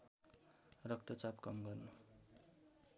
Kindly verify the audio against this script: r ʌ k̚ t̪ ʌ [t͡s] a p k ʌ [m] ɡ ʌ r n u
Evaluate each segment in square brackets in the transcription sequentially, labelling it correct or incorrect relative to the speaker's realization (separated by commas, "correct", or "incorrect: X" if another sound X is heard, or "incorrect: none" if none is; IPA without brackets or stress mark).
correct, correct